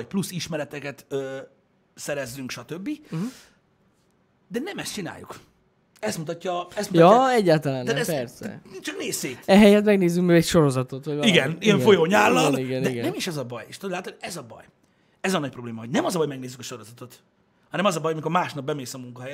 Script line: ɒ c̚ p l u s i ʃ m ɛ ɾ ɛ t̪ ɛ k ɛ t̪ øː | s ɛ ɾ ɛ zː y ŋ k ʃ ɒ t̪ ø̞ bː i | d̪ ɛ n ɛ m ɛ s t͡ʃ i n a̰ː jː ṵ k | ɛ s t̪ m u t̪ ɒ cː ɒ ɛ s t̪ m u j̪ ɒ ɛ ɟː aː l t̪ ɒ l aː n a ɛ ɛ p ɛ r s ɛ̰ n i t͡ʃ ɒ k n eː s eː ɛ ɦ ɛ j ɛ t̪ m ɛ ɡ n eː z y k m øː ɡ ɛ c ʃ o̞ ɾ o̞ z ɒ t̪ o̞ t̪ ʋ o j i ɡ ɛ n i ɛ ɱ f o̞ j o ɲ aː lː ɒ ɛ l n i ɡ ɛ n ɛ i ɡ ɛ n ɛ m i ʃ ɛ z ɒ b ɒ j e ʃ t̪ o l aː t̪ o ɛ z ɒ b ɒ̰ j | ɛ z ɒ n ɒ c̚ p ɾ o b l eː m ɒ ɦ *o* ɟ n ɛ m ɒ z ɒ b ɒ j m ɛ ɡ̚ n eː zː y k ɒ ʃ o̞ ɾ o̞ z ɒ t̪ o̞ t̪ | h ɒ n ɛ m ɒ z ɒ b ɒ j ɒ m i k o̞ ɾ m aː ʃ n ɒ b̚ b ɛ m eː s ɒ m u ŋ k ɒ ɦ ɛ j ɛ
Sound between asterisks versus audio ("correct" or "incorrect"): correct